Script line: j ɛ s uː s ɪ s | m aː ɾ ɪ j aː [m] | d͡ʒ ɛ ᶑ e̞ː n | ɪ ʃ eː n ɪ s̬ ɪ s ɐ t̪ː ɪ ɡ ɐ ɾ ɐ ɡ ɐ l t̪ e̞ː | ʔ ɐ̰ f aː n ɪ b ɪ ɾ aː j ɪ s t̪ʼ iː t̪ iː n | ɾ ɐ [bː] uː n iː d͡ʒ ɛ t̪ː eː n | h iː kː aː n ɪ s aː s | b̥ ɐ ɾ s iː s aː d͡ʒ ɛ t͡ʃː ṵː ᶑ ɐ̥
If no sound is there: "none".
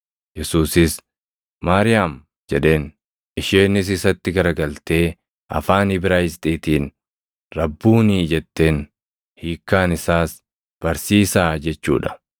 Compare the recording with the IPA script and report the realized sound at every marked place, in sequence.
m, bː

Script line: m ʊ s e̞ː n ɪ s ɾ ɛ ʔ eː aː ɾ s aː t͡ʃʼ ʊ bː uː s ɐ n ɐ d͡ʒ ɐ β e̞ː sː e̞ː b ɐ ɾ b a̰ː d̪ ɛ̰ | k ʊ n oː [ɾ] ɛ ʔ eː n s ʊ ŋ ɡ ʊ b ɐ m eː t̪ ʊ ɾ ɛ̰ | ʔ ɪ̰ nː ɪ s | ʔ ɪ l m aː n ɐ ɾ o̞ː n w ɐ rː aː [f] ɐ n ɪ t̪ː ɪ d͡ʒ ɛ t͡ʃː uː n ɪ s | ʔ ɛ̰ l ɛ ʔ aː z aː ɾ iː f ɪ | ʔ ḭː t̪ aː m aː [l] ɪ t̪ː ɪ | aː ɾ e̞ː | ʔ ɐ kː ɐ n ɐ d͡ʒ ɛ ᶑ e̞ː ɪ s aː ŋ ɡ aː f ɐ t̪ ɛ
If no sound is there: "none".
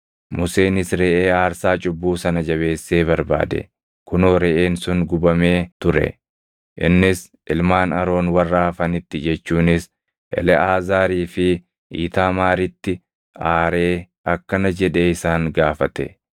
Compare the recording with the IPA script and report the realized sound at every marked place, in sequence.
ɾ, f, ɾ

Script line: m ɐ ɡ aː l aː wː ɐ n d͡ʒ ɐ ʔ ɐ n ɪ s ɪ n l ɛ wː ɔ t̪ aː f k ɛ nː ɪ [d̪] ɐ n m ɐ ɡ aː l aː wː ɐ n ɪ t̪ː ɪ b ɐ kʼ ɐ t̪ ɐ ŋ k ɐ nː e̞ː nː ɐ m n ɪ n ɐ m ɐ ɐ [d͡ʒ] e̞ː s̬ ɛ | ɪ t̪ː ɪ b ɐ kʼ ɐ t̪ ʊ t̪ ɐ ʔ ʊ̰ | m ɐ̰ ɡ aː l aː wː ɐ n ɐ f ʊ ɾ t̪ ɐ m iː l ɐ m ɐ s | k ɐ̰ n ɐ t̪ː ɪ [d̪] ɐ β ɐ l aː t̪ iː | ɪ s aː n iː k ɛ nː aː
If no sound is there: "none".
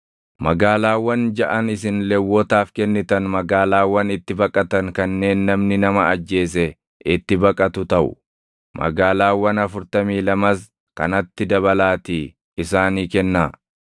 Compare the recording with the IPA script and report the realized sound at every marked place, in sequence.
t̪, d͡ʒː, d̪

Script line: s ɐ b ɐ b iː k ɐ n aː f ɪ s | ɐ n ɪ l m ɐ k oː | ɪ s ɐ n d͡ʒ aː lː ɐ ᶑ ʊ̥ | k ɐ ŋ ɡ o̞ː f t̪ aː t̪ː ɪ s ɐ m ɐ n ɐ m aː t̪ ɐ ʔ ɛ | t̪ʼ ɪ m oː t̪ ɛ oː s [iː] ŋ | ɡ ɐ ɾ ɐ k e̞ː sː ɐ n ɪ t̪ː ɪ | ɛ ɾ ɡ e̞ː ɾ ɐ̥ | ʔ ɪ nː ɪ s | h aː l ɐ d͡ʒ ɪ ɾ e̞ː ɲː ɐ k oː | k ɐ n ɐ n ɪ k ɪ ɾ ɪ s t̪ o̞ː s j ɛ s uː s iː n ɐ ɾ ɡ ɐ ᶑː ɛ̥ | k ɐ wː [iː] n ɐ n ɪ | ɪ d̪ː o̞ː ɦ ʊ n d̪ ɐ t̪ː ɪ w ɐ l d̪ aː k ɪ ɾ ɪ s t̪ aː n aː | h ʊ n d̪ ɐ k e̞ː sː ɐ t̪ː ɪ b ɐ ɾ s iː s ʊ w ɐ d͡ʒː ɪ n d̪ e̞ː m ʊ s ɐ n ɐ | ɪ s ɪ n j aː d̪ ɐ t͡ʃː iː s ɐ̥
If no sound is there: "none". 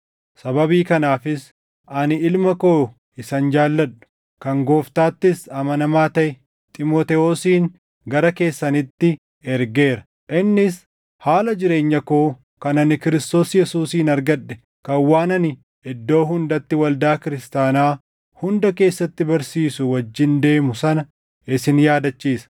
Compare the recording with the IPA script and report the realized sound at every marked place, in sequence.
iː, aː

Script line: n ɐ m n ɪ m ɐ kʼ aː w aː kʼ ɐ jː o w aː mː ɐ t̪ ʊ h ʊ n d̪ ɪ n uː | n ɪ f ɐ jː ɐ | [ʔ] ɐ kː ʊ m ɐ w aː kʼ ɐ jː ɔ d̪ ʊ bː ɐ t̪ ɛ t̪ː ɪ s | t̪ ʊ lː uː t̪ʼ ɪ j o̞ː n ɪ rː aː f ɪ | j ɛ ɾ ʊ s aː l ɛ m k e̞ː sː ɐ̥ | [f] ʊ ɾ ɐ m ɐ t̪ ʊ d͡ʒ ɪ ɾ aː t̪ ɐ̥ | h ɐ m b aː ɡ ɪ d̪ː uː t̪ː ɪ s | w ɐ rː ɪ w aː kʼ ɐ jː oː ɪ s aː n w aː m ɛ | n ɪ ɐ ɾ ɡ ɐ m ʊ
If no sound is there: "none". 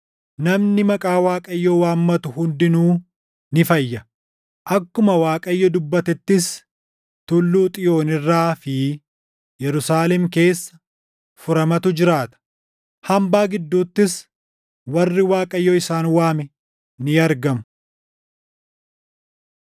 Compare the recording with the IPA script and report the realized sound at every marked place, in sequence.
ʔ, f

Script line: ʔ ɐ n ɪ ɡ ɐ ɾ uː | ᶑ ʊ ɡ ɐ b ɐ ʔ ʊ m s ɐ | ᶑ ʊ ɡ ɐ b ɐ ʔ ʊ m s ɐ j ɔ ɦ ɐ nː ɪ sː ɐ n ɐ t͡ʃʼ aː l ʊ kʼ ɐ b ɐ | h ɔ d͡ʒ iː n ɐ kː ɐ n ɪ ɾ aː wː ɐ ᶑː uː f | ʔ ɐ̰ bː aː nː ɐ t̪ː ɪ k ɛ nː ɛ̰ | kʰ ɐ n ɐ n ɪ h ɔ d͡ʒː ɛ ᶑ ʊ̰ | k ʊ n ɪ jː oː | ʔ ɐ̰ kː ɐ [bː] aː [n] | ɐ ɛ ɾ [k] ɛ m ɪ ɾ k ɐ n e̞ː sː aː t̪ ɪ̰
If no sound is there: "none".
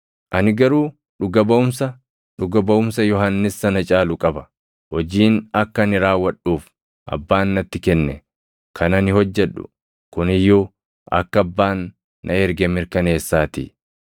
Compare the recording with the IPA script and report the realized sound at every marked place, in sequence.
bː, nː, ɡ

